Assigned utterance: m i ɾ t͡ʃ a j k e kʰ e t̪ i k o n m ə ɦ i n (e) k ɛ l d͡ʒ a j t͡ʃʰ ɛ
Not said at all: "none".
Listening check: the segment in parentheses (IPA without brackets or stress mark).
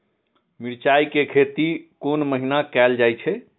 a